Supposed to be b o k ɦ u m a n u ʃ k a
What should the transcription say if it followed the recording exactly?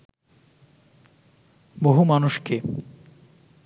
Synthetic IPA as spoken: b o ɦ u m a n u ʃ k e